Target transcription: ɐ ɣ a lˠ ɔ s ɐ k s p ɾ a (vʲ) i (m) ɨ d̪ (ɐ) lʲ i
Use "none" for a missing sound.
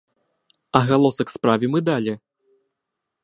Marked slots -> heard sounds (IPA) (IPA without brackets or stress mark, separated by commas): vʲ, m, a